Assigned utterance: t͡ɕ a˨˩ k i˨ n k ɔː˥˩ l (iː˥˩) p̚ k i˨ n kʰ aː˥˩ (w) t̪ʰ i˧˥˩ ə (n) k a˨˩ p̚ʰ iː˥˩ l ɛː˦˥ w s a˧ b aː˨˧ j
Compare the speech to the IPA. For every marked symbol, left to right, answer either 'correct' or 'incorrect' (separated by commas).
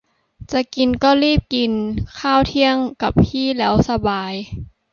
correct, correct, incorrect